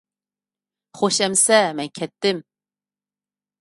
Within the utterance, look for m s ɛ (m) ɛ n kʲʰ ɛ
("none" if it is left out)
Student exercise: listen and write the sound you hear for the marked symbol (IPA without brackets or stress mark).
m